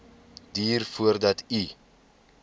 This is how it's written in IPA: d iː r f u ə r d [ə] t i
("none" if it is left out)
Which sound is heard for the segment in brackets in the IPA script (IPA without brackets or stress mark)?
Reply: ɐ